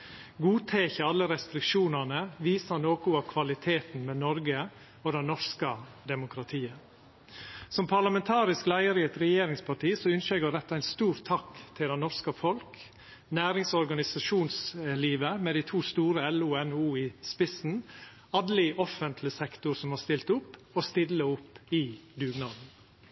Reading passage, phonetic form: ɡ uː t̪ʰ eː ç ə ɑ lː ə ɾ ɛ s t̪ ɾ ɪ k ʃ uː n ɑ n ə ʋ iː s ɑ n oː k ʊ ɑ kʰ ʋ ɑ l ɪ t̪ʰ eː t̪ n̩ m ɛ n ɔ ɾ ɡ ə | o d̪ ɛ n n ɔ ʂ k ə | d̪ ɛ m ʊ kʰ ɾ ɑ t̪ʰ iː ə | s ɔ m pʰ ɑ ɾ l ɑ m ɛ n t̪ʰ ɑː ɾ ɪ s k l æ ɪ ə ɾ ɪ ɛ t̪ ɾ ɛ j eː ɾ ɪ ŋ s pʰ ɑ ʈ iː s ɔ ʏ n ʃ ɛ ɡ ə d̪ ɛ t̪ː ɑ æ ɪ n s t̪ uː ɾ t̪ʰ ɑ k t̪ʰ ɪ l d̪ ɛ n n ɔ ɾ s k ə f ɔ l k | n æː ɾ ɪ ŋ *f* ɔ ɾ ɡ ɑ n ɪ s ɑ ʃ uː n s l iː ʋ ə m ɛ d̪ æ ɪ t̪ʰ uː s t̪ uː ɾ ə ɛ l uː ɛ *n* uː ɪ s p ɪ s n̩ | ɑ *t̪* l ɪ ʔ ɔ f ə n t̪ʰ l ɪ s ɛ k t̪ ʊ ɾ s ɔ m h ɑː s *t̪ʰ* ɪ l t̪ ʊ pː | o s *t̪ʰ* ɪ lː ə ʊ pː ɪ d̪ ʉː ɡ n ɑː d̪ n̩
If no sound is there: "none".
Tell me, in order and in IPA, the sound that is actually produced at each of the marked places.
s, n, d̪, t̪, t̪

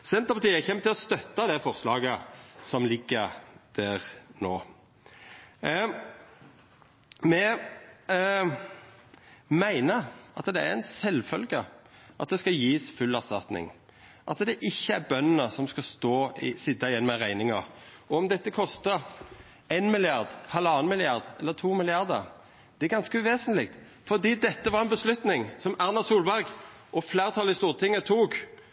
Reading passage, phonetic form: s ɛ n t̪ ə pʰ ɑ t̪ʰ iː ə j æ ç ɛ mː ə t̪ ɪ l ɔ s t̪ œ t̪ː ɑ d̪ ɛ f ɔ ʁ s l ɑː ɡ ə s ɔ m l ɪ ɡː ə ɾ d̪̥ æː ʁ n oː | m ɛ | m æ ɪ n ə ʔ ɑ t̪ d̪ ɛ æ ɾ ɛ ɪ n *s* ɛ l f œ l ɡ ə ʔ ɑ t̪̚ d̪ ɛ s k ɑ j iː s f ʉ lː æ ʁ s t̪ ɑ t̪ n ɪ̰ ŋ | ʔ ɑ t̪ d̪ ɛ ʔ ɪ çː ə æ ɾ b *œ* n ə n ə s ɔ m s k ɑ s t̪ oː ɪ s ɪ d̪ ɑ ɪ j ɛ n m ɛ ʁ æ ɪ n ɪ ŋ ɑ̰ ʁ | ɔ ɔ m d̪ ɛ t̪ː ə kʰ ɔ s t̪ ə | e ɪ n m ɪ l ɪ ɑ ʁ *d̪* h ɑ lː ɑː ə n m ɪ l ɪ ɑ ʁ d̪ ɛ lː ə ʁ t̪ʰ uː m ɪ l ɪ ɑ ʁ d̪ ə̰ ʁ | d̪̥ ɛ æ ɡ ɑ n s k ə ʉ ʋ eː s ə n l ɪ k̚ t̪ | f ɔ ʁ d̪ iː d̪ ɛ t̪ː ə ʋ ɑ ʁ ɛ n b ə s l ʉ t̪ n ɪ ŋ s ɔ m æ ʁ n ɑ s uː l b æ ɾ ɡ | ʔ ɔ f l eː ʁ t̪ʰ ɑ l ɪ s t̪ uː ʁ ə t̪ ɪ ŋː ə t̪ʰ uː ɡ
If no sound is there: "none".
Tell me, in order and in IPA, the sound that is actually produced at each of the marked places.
s, œ, d̪

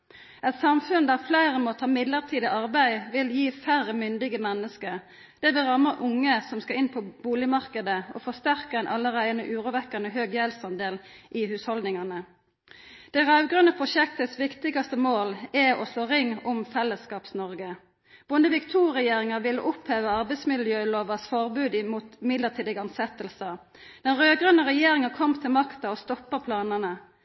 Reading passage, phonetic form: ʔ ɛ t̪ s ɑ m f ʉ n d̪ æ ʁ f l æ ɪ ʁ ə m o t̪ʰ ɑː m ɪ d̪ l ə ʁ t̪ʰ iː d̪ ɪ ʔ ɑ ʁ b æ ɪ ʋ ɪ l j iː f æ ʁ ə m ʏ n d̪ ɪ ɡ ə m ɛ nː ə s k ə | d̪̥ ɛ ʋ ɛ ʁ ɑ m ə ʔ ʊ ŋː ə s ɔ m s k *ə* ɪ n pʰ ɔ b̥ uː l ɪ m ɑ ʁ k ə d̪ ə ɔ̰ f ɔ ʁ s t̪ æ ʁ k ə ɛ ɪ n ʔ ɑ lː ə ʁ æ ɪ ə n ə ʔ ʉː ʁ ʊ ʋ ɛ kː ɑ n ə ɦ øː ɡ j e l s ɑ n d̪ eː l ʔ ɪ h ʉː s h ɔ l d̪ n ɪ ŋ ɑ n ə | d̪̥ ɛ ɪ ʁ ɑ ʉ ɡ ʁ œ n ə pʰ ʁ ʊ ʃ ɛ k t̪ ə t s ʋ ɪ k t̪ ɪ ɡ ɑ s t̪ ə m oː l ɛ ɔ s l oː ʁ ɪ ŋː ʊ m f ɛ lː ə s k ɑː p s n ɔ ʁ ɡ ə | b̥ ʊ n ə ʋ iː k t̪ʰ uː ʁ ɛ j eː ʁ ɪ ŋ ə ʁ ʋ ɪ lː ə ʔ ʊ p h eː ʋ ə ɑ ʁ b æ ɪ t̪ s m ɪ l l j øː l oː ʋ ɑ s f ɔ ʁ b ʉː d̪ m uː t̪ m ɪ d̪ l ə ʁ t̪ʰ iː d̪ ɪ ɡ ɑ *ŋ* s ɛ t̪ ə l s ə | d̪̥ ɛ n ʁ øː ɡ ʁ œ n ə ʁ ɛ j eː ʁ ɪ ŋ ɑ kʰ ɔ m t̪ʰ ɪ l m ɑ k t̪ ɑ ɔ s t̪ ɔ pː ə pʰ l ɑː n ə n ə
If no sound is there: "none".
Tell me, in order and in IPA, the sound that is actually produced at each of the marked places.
ɑ, n

